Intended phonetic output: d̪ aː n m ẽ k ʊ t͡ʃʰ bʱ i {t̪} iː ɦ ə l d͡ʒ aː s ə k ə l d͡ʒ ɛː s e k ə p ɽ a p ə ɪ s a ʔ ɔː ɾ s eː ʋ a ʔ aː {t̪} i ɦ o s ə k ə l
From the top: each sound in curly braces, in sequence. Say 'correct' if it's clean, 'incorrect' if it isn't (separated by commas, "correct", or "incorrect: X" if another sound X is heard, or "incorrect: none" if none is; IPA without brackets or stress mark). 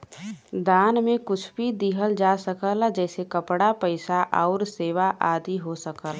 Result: incorrect: d̪, incorrect: d̪